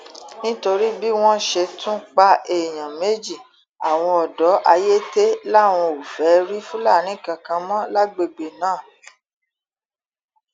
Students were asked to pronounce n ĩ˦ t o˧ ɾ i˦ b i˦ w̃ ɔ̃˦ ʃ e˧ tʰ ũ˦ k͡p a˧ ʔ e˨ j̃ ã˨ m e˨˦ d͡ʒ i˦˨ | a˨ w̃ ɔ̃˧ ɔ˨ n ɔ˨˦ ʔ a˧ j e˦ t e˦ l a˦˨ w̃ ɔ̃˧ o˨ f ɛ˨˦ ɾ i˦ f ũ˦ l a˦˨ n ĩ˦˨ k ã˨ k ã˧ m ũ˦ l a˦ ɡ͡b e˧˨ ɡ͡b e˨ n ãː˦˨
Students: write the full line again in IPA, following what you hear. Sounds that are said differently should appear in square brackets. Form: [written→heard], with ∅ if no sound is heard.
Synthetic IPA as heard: n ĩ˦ t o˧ ɾ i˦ b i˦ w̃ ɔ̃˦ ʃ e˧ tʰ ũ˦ k͡p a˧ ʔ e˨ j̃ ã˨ m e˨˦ d͡ʒ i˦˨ | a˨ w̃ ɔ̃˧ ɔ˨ [n→d] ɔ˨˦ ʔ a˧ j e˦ t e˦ l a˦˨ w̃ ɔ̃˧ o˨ f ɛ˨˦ ɾ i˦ f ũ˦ l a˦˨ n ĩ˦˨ k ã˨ k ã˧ m [ũ˦→ɔ̃˦] l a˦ ɡ͡b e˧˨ ɡ͡b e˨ n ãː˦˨

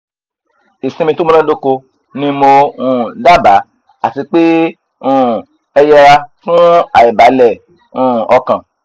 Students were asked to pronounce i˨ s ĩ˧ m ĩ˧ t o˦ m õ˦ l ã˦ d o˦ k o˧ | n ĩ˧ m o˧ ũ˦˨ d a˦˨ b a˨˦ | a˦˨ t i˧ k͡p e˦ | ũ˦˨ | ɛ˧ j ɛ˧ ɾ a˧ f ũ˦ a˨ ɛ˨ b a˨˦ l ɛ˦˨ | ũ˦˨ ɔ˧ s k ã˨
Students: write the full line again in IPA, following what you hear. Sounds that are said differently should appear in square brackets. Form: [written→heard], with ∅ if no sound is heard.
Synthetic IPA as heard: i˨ s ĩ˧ m ĩ˧ t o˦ m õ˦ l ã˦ d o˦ k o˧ | n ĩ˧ m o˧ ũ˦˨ d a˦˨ b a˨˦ | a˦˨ t i˧ k͡p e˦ | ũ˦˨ | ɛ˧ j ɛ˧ ɾ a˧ f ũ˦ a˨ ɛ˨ b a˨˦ l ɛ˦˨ | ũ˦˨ ɔ˧ [s→∅] k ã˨

